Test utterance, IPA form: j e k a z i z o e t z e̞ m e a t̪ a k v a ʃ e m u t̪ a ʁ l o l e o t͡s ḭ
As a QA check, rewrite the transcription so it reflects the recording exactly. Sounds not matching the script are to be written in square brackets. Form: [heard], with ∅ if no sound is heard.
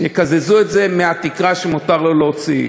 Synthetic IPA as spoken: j e k a z [e] z [u] e t z e̞ m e a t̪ [i] k [ʁ] a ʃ e m u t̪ a ʁ l o l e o t͡s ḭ